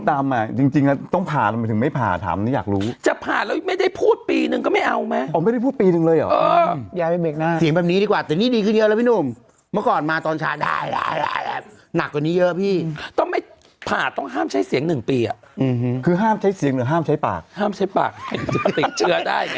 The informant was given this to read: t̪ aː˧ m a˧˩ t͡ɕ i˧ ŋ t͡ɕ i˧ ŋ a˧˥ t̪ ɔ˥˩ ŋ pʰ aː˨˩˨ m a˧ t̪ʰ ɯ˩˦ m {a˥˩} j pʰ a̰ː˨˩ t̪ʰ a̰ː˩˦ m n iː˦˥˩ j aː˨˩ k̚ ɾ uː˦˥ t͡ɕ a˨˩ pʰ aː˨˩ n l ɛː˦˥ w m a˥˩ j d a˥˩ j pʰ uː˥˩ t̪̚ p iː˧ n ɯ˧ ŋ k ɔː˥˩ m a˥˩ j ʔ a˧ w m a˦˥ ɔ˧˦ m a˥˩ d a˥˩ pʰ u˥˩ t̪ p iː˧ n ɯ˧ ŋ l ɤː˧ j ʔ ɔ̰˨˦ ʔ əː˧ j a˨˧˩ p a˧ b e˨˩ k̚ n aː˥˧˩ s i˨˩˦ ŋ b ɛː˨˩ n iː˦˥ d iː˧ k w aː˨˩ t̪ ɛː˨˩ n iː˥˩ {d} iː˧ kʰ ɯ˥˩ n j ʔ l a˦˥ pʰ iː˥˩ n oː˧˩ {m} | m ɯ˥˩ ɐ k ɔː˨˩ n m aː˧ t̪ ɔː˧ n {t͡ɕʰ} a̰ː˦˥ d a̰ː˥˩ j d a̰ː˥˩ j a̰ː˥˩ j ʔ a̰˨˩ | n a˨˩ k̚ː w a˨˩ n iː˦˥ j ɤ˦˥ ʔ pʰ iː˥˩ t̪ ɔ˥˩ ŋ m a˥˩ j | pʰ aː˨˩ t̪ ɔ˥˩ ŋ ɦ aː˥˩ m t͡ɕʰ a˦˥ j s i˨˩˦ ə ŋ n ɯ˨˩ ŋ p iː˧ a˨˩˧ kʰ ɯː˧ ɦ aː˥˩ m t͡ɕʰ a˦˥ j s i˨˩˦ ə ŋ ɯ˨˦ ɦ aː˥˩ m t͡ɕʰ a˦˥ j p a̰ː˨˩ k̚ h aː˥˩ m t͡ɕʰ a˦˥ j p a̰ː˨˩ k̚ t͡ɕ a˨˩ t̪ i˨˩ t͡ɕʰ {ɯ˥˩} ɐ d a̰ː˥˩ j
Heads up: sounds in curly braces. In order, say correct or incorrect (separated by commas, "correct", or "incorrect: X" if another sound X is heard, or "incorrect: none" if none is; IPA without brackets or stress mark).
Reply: correct, correct, correct, correct, incorrect: ɯ˦˥